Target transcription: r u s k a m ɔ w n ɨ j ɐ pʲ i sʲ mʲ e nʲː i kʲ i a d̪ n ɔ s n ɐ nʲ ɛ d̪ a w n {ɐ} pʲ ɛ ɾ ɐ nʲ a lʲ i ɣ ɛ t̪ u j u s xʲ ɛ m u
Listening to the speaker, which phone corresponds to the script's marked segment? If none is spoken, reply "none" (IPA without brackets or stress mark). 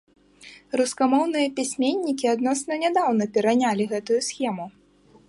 ɐ